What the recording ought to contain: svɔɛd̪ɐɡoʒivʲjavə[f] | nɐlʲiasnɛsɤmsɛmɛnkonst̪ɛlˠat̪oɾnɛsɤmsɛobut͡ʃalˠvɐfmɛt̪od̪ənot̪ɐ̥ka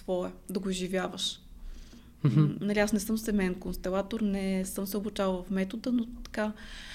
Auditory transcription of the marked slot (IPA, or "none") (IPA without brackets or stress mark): ʃ